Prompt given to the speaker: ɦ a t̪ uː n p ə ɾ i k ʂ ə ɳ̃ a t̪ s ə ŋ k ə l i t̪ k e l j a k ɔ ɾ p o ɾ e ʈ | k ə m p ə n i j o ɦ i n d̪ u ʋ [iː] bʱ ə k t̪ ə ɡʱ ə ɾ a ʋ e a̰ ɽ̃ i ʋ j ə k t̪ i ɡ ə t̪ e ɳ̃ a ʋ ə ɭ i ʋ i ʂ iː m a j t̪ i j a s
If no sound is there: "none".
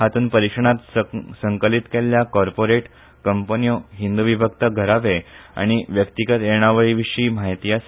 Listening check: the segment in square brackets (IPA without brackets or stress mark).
i